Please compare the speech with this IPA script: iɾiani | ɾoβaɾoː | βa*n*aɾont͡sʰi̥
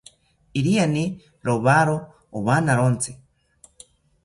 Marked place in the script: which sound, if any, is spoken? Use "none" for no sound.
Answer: n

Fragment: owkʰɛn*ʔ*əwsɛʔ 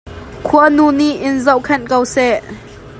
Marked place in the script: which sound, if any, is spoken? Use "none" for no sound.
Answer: k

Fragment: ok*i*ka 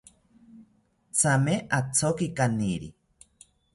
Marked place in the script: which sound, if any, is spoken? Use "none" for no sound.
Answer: i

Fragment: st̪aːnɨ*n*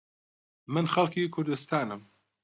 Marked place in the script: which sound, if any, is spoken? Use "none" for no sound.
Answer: m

